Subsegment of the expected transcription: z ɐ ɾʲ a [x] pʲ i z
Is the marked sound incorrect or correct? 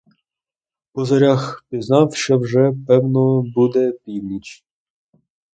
correct